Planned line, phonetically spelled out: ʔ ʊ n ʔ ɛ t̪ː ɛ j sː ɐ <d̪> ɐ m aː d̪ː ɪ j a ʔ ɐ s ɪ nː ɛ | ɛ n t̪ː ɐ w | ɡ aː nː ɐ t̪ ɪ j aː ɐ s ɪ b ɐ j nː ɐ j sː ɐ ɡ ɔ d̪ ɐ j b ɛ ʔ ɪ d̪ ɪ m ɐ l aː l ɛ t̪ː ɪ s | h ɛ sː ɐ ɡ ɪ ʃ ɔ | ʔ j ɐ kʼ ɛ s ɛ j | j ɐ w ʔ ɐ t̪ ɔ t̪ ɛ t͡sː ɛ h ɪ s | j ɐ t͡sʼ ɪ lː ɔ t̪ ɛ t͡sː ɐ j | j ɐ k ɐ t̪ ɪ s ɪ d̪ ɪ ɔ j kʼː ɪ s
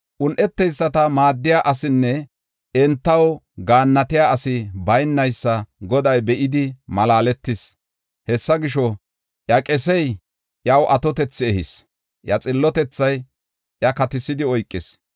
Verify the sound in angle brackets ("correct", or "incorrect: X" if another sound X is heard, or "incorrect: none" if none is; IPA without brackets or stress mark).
incorrect: t̪